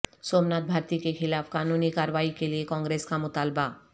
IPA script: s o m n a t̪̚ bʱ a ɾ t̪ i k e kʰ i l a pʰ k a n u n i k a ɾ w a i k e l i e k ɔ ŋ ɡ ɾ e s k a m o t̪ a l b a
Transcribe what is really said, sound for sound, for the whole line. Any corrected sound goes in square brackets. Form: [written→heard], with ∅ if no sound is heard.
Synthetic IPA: s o m n a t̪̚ bʱ a ɾ t̪ i k e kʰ i l a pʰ k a n u n i k a ɾ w a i k e l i e k ɔ ŋ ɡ ɾ e s k a m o t̪ a l b a